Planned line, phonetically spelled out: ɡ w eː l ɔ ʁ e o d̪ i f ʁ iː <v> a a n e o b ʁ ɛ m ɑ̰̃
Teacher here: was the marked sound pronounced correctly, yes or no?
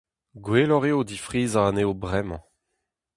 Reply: no